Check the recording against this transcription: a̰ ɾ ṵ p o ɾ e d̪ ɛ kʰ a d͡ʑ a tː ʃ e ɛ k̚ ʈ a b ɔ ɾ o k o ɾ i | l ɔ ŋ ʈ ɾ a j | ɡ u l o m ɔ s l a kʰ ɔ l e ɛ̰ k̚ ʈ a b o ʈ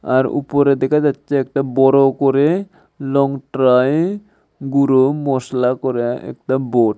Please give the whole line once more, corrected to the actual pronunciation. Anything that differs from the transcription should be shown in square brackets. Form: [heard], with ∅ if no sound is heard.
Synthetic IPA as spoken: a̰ ɾ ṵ p o ɾ e d̪ ɛ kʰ a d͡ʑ a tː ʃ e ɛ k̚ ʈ a b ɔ ɾ o k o ɾ [e] | l ɔ ŋ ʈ ɾ a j | ɡ u [ɾ] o m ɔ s l a [k] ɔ [ɾ] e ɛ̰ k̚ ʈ a b o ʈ

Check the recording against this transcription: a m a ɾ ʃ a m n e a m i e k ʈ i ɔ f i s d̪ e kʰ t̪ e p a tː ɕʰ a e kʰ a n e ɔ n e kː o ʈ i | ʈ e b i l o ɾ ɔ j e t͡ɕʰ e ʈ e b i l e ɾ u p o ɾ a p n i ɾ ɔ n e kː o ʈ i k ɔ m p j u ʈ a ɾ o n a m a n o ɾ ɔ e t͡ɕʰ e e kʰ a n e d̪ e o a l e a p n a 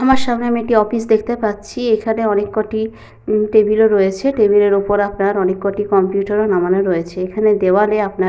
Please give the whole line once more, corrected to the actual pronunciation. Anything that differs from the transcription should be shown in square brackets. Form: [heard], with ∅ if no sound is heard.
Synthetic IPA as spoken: a m a ɾ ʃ a m n e a m i e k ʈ i ɔ f i s d̪ e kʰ t̪ e p a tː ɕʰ [i] e kʰ a n e ɔ n e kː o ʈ i | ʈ e b i l o ɾ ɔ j e t͡ɕʰ e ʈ e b i l e ɾ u p o ɾ a p n [a] ɾ ɔ n e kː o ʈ i k ɔ m p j u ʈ a ɾ o n a m a n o ɾ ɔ e t͡ɕʰ e e kʰ a n e d̪ e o a l e a p n a

